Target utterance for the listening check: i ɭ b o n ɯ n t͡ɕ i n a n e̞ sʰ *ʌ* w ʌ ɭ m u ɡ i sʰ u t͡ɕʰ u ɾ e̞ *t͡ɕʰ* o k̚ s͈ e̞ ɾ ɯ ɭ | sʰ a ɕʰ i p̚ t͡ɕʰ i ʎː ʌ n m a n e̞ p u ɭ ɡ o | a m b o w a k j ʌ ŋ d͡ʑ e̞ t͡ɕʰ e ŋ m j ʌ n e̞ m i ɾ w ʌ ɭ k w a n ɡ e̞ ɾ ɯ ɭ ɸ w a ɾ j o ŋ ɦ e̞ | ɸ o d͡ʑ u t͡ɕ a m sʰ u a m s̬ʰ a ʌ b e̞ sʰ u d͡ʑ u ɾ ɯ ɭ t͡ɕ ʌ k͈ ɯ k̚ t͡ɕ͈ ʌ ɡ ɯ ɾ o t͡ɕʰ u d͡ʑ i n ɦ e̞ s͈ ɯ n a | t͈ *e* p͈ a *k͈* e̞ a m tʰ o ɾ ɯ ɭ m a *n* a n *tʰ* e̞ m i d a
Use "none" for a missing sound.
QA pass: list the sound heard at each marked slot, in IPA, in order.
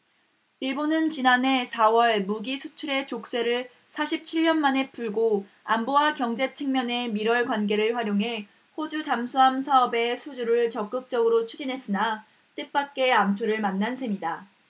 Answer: a, t͡ɕ, e, k͈, nː, sʰ

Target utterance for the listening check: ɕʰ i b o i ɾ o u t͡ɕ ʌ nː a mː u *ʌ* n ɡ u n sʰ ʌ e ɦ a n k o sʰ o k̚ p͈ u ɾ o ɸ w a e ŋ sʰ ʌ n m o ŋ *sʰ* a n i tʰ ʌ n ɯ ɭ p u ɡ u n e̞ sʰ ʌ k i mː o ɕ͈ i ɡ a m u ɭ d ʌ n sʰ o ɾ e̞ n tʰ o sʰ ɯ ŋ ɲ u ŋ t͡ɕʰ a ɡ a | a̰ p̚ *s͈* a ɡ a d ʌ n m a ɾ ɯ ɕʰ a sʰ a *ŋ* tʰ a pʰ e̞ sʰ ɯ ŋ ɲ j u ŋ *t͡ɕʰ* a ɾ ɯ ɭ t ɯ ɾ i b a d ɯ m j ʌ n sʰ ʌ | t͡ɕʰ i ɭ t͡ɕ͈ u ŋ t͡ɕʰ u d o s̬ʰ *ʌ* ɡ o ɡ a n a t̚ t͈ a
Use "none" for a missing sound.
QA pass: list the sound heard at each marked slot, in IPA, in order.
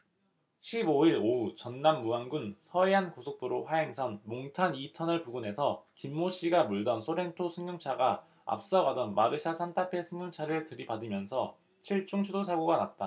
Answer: a, tʰ, s͈, n, t͡ɕʰ, a

